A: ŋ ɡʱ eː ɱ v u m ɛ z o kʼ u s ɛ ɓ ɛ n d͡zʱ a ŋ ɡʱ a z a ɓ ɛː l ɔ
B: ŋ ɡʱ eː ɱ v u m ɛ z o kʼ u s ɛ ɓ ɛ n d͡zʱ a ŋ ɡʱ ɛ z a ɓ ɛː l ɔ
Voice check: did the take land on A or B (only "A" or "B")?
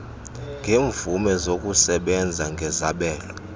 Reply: B